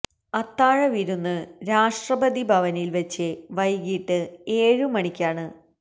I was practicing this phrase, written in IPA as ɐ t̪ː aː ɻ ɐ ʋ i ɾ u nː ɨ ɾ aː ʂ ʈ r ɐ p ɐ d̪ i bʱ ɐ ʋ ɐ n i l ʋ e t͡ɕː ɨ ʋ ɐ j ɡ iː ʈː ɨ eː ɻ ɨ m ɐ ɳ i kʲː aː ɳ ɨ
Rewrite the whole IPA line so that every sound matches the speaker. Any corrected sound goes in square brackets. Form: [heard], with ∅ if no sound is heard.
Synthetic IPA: ɐ t̪ː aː ɻ ɐ ʋ i ɾ u nː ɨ ɾ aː ʂ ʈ r ɐ [b] ɐ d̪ i bʱ ɐ ʋ ɐ n i l ʋ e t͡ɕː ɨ ʋ ɐ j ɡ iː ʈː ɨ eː ɻ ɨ m ɐ ɳ i kʲː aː ɳ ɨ